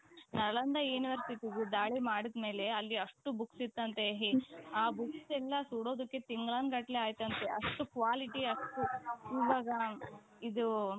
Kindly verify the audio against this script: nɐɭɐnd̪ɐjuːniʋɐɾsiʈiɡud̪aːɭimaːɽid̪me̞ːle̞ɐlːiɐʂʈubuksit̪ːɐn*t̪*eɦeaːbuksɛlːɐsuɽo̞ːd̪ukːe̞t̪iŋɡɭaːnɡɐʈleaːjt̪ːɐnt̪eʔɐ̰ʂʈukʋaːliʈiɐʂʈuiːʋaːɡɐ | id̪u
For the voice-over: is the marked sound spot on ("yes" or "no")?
yes